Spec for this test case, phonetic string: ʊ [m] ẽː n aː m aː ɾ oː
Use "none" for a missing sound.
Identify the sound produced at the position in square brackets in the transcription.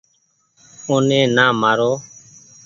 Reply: n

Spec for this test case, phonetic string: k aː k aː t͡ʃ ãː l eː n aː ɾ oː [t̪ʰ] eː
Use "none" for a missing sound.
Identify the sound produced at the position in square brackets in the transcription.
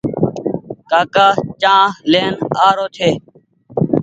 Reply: t̪ʰ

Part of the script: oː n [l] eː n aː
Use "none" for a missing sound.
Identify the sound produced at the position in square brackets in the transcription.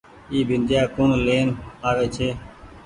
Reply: l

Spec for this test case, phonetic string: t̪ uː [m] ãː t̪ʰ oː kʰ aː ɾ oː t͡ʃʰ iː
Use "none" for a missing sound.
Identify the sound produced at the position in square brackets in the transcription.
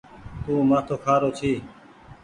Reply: m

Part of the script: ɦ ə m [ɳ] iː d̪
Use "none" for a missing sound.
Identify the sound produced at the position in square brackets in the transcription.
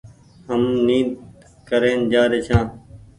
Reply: n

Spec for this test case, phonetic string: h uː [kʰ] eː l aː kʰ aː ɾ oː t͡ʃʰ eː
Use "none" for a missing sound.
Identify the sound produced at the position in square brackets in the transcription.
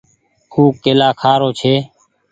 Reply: k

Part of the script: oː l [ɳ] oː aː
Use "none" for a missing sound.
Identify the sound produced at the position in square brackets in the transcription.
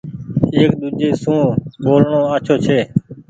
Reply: ɳ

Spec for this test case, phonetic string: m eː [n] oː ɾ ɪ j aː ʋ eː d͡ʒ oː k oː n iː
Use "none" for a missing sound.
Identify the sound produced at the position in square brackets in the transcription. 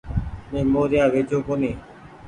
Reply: m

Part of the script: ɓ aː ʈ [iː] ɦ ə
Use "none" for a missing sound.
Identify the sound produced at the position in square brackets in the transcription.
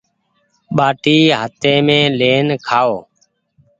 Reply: iː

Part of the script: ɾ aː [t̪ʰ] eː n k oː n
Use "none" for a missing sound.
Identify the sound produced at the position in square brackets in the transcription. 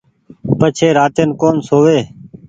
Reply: t̪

